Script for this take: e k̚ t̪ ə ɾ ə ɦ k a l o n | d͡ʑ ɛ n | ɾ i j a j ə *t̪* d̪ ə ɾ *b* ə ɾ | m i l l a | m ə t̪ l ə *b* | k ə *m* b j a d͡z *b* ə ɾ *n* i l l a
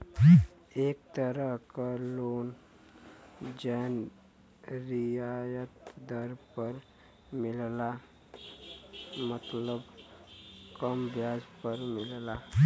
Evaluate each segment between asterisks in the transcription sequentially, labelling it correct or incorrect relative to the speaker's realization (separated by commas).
correct, incorrect, correct, correct, incorrect, incorrect